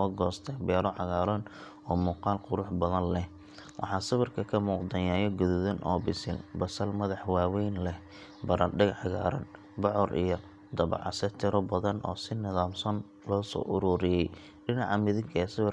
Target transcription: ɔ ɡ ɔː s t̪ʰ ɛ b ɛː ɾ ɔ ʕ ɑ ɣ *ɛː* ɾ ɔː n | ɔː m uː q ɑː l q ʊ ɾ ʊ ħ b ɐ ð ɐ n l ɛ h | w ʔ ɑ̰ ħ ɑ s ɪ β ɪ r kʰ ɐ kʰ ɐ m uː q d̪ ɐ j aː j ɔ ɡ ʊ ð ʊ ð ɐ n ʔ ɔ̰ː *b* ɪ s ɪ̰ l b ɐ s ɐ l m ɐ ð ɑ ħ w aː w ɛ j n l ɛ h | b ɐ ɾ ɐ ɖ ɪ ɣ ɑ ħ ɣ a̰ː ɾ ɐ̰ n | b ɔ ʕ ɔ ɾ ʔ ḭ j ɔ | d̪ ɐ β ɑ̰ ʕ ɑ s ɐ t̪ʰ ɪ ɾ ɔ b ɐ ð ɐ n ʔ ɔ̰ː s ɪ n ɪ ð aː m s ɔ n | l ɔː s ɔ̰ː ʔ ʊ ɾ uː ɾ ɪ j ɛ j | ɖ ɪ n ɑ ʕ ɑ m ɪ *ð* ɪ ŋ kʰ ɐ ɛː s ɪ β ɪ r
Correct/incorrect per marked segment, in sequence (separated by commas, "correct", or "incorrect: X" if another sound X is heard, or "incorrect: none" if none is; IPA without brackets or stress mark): incorrect: aː, correct, correct